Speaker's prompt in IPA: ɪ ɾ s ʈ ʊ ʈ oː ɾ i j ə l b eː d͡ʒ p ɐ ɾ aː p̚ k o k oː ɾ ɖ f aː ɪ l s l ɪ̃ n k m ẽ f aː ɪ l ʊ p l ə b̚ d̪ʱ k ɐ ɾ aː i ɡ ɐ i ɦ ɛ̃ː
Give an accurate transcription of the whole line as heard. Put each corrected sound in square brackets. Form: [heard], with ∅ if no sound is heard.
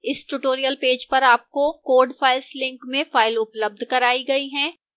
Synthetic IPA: ɪ [∅] s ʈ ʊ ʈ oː ɾ i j ə l [p] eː d͡ʒ p ɐ ɾ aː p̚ k o k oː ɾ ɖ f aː ɪ l s l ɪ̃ [ŋ] k m ẽ f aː ɪ l ʊ p l ə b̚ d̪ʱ k ɐ ɾ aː i ɡ ɐ i ɦ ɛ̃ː